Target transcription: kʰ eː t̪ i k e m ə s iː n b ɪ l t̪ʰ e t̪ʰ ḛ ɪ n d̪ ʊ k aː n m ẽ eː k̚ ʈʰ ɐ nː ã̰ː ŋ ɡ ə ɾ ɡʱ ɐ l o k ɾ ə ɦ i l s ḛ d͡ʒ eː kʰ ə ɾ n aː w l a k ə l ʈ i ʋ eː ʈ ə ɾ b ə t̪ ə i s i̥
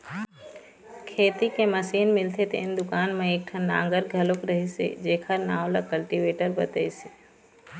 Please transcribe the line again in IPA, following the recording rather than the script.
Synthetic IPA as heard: kʰ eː t̪ i k e m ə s iː n m ɪ l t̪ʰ e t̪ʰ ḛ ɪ n d̪ ʊ k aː n m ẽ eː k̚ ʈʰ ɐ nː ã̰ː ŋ ɡ ə ɾ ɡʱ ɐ l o k ɾ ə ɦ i s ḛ d͡ʒ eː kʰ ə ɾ n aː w l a k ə l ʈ i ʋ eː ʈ ə ɾ b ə t̪ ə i s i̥